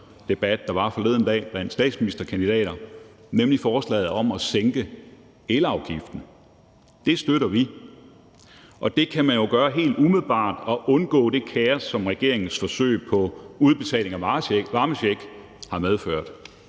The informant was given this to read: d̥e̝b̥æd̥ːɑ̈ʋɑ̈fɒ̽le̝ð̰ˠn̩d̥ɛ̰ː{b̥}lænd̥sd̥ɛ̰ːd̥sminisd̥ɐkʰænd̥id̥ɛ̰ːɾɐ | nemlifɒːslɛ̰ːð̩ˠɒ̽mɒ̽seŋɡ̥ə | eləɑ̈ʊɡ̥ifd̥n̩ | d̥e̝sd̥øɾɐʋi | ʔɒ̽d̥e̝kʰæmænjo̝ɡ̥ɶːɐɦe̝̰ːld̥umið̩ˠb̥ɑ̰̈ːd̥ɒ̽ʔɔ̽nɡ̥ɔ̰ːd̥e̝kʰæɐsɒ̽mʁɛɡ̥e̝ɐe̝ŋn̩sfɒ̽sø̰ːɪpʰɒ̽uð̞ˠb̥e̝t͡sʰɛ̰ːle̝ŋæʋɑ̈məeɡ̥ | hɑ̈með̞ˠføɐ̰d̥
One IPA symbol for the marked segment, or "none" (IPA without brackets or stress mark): b̥